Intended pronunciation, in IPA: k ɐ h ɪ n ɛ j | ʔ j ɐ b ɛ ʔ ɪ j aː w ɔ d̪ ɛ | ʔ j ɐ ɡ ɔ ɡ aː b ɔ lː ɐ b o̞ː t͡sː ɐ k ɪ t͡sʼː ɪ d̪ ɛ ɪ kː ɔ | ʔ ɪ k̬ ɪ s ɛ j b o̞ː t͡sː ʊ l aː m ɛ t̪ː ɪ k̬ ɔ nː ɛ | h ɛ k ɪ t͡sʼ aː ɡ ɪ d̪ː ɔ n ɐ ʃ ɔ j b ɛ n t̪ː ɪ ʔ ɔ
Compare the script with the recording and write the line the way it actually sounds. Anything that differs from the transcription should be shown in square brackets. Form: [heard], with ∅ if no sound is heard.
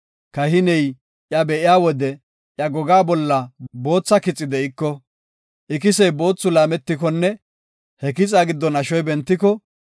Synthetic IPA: k ɐ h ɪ n ɛ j | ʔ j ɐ b ɛ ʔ ɪ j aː w ɔ d̪ ɛ | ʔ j ɐ ɡ ɔ ɡ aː b ɔ lː ɐ b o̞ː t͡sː ɐ k ɪ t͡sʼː ɪ d̪ ɛ ɪ kː ɔ | ʔ ɪ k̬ ɪ s ɛ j b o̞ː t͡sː ʊ l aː m ɛ t̪ː ɪ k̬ ɔ nː ɛ | h ɛ k ɪ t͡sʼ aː ɡ ɪ d̪ː ɔ n ɐ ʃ ɔ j b ɛ n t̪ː ɪ [k] ɔ